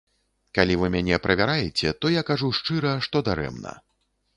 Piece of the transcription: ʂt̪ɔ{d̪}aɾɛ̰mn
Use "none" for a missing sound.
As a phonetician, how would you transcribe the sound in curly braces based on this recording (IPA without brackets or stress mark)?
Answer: d̪